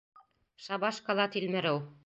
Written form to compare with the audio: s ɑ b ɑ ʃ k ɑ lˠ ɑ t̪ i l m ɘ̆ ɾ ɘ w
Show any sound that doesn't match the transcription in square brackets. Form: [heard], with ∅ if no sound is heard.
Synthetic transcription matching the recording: [ʃ] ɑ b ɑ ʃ k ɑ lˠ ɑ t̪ i l m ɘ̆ ɾ ɘ w